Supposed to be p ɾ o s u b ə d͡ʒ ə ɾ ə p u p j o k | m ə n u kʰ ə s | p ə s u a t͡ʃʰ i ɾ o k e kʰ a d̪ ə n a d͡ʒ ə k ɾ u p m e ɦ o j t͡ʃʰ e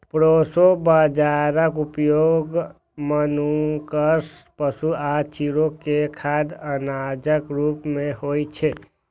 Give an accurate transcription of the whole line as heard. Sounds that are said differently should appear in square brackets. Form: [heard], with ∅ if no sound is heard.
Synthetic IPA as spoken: p ɾ o s [o] b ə d͡ʒ [a] ɾ ə [k] u p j o [ɡ] | m ə n u [k] ə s | p ə s u a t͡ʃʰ i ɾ o k e kʰ a d̪ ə n a d͡ʒ ə k ɾ u p m e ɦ o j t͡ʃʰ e